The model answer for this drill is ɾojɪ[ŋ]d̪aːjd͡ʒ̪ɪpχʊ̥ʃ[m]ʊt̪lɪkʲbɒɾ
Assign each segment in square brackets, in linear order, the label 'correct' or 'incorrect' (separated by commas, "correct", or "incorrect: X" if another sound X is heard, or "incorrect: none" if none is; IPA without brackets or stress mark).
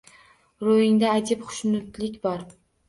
correct, incorrect: n